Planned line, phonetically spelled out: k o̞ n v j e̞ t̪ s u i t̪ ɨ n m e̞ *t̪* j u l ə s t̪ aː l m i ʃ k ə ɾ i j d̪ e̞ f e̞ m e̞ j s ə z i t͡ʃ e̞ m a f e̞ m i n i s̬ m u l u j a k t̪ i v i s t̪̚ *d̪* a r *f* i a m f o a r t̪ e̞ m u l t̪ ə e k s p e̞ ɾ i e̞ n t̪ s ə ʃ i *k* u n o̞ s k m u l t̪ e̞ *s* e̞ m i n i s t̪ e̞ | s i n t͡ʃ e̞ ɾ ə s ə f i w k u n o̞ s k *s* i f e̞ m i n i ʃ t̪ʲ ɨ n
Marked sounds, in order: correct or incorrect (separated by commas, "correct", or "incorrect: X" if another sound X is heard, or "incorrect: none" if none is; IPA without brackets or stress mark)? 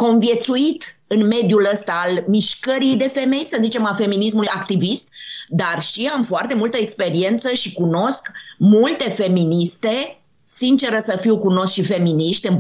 incorrect: d̪, correct, incorrect: ʃ, correct, incorrect: f, incorrect: ʃ